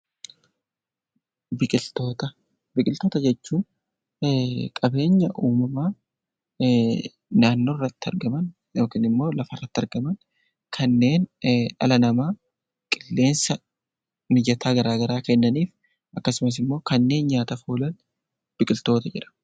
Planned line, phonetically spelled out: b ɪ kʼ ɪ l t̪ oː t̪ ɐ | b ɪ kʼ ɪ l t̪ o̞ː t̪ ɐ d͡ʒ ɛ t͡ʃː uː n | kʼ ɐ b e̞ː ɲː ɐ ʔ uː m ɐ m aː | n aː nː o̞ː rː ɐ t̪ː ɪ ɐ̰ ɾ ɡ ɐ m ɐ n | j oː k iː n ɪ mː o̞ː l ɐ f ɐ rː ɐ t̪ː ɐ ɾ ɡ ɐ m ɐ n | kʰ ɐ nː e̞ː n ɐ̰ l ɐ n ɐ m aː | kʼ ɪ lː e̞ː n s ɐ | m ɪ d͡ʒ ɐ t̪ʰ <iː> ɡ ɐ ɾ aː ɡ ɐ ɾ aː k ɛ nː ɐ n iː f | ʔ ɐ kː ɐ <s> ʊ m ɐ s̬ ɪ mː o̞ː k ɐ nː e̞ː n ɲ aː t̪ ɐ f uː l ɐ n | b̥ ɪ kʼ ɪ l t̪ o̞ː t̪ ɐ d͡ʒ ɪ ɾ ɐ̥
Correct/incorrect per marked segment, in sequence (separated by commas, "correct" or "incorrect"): incorrect, correct